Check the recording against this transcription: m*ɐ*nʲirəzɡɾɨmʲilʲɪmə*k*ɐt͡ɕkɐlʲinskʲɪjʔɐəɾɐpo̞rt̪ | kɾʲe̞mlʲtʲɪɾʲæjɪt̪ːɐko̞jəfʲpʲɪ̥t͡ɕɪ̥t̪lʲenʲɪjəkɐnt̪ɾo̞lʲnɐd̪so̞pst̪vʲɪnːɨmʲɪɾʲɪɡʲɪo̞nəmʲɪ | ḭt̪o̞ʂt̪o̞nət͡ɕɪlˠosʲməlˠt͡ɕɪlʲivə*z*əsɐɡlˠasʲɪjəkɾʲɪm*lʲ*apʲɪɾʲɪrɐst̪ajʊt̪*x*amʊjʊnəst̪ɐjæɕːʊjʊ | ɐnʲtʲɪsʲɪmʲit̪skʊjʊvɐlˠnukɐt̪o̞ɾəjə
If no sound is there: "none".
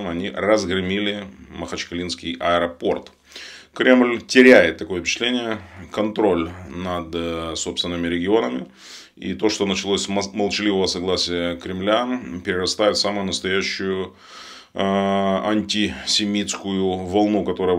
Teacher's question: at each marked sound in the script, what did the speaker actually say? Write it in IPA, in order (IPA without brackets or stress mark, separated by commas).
ɐ, x, v, lʲ, s